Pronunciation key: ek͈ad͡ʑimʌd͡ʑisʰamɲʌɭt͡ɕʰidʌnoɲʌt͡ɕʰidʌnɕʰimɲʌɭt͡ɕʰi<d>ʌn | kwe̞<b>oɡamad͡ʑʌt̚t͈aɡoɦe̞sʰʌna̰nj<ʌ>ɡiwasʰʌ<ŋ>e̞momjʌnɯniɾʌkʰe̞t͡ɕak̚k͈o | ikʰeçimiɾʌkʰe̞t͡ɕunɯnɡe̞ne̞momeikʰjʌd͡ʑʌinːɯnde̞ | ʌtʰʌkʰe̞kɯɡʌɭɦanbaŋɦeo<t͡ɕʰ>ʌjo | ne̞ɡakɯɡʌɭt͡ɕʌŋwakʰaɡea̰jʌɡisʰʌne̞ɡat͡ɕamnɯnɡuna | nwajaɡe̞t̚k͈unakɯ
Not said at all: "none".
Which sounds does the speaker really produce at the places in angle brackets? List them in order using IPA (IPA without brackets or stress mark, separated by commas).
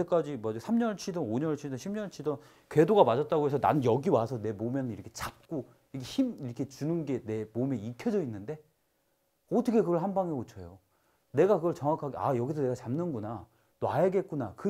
d, d, ʌ, n, t͡ɕʰ